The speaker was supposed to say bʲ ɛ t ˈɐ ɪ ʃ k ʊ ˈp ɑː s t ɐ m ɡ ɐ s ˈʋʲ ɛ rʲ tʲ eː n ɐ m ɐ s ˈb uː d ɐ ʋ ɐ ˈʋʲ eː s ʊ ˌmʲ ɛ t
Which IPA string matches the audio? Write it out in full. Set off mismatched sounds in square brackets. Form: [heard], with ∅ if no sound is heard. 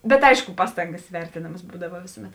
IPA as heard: bʲ ɛ t ˈɐ ɪ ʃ k ʊ ˈp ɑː s t ɐ [ŋ] ɡ ɐ s ˈʋʲ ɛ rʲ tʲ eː n ɐ m ɐ s ˈb uː d ɐ ʋ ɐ ˈʋʲ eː s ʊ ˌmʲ ɛ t